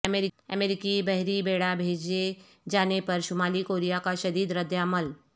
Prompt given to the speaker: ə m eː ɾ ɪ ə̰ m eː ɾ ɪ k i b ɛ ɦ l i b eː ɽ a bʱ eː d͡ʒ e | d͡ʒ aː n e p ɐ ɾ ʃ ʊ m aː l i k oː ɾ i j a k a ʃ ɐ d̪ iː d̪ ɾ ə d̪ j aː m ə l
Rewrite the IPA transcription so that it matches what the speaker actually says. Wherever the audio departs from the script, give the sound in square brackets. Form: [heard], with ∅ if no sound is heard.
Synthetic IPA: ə m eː ɾ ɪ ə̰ m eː ɾ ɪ k i b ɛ ɦ [ɾ] i b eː ɽ a bʱ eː d͡ʒ e | d͡ʒ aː n e p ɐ ɾ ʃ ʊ m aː l i k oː ɾ i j a k a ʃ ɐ d̪ iː d̪ ɾ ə d̪ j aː m ə l